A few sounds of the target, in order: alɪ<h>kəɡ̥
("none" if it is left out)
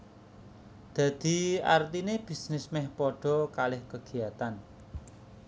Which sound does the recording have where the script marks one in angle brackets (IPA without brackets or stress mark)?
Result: h